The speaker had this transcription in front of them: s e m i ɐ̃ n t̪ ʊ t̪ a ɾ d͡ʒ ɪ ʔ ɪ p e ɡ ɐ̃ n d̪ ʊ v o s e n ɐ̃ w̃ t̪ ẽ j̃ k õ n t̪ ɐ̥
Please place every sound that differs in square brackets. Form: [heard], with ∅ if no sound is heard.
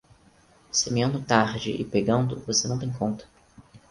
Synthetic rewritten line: s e m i ɐ̃ n [d̪] ʊ t̪ a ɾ d͡ʒ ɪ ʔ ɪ p e ɡ ɐ̃ n d̪ ʊ v o s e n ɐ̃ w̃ t̪ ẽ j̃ k õ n t̪ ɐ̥

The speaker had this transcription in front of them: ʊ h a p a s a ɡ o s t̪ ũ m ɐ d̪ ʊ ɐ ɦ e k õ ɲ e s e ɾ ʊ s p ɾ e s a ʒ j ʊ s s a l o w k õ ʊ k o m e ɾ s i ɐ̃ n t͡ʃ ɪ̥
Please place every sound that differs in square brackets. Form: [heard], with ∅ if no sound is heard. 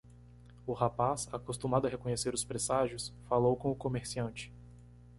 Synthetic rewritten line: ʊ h a p a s a [k] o s t̪ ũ m [a] d̪ ʊ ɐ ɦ e k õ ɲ e s e ɾ ʊ s p ɾ e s a ʒ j ʊ s [f] a l o w k õ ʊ k o m e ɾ s i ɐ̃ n t͡ʃ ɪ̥

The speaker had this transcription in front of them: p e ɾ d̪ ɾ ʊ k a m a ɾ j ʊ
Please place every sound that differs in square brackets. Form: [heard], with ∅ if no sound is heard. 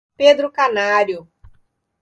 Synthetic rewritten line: p e [∅] d̪ ɾ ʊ k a [n] a ɾ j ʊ

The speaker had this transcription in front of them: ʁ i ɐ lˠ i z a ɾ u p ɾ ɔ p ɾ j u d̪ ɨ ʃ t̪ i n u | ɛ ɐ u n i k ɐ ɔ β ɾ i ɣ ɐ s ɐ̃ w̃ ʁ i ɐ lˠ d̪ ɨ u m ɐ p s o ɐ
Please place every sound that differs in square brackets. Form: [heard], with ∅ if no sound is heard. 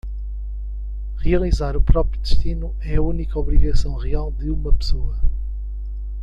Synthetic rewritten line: ʁ i ɐ lˠ i z a ɾ u p ɾ ɔ p ɾ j u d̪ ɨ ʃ t̪ i n u | ɛ ɐ u n i k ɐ ɔ β ɾ i ɣ ɐ s ɐ̃ w̃ ʁ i [a] lˠ d̪ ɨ u m ɐ p s o ɐ

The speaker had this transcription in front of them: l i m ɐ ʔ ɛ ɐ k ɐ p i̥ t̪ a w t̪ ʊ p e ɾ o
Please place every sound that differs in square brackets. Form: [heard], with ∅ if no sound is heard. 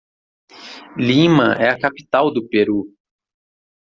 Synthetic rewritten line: l i m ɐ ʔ ɛ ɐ k [a] p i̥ t̪ a w [d̪] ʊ p e ɾ [u]

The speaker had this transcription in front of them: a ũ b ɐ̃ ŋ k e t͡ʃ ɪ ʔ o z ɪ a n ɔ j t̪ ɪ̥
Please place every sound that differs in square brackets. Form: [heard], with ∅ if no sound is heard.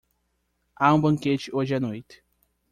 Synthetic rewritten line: a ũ b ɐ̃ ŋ k e t͡ʃ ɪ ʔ o [ʒ] ɪ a n [o] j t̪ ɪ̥

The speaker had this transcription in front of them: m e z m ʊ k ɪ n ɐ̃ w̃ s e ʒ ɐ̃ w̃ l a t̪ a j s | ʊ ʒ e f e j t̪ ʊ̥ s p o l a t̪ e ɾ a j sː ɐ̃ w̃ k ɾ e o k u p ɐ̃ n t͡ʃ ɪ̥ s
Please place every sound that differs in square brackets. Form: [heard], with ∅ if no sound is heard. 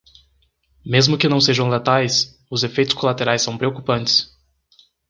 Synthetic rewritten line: m e z m ʊ k ɪ n ɐ̃ w̃ s e ʒ ɐ̃ w̃ l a t̪ a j s | ʊ [z] e f e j t̪ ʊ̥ s [k] o l a t̪ e ɾ a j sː ɐ̃ w̃ [p] ɾ e o k u p ɐ̃ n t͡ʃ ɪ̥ s

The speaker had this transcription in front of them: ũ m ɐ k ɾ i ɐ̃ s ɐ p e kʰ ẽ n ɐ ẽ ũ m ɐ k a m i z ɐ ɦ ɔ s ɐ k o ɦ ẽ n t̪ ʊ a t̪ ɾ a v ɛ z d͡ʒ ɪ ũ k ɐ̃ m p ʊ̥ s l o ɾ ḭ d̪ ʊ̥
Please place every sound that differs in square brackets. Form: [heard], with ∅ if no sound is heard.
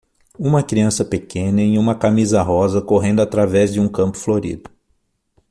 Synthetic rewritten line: ũ m ɐ k ɾ i ɐ̃ s ɐ p e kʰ ẽ n ɐ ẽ ũ m ɐ k a m i z ɐ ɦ ɔ [z] ɐ k o ɦ ẽ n [d̪] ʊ a t̪ ɾ a v ɛ z d͡ʒ ɪ ũ k ɐ̃ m p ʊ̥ [f] l o ɾ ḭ d̪ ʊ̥

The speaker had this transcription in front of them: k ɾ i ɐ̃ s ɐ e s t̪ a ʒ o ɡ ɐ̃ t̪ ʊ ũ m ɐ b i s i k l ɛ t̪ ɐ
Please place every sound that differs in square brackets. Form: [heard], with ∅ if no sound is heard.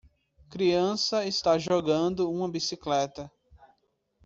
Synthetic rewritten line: k ɾ i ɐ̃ s ɐ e s t̪ a ʒ o ɡ ɐ̃ [d̪] ʊ ũ m ɐ b i s i k l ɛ t̪ ɐ

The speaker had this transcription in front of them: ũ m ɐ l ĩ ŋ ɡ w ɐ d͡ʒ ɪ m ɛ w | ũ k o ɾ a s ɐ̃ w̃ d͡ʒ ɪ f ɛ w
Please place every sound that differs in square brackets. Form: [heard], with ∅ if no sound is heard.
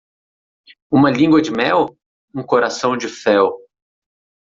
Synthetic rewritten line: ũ m ɐ l ĩ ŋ ɡ w ɐ d͡ʒ ɪ m ɛ w | ũ k o ɾ a s ɐ̃ w̃ d͡ʒ ɪ f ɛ w

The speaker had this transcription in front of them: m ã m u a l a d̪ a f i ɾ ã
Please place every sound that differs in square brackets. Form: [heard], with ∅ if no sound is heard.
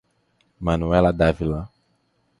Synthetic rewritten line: m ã [n] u [ɛ] l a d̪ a [v] i [l] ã

